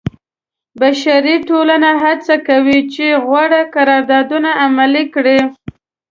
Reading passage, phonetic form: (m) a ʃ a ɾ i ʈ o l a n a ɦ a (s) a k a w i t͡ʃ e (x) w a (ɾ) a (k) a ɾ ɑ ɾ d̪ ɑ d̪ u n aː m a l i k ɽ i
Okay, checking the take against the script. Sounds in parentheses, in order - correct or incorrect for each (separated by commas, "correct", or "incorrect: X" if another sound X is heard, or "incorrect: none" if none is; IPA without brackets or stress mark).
incorrect: b, incorrect: t͡s, incorrect: ɣ, incorrect: ɽ, correct